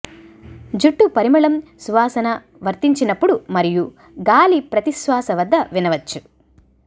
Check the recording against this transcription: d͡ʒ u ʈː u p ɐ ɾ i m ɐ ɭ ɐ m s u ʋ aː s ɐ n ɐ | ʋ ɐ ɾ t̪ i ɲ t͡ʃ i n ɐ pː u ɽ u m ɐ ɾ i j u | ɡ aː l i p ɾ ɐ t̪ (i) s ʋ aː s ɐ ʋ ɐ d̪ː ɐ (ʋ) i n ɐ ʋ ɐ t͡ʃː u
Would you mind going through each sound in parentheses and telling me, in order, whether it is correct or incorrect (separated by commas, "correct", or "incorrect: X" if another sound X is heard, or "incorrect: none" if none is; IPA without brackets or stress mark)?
correct, correct